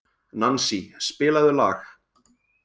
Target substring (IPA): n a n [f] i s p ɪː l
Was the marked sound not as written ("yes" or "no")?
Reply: yes